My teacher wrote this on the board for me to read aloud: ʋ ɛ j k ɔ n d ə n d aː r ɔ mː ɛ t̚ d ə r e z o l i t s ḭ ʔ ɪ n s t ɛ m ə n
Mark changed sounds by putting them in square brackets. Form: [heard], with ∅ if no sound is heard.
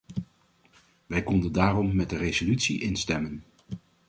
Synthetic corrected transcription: ʋ ɛ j k ɔ n d ə n d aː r ɔ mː ɛ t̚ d ə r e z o l [y] t s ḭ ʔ ɪ n s t ɛ m ə n